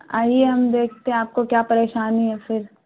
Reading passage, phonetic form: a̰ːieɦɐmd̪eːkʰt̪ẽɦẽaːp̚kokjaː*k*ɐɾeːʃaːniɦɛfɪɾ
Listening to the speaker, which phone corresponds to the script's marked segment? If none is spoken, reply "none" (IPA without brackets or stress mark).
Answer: p